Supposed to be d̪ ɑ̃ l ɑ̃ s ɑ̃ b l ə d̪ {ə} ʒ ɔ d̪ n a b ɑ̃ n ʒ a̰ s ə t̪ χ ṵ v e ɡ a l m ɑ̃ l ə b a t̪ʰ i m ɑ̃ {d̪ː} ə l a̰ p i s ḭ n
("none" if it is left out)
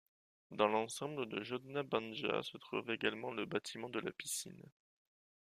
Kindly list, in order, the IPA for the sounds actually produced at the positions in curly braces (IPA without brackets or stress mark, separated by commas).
ə, d̪